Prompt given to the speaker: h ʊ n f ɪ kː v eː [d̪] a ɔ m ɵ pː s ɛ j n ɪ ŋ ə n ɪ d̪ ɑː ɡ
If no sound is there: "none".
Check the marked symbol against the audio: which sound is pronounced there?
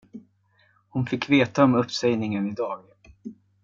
t̪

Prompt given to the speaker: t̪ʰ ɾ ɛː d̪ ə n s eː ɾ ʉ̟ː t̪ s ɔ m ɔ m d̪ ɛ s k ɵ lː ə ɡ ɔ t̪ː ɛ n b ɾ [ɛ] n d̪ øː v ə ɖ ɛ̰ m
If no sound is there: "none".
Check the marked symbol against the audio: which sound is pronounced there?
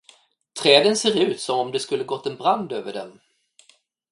a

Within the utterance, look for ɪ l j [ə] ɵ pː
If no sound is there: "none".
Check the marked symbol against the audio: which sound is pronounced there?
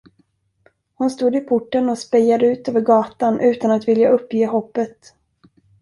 a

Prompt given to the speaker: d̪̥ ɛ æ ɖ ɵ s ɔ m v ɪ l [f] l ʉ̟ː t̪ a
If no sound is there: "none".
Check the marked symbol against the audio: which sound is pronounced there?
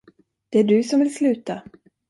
s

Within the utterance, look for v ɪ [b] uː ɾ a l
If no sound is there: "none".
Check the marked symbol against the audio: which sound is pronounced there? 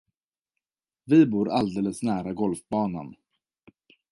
b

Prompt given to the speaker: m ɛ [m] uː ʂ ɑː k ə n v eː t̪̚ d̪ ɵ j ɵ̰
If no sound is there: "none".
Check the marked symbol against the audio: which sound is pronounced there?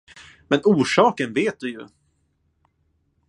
n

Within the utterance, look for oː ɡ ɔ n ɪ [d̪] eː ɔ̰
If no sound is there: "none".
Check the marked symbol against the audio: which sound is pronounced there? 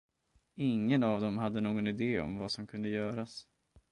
d̪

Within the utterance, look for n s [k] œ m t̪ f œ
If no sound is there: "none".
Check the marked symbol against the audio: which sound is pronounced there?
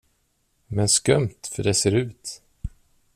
k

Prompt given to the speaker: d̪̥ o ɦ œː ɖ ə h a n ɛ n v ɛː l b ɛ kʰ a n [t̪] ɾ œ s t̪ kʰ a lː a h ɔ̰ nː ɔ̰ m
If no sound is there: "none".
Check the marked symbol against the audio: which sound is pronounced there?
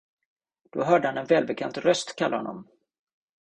t̪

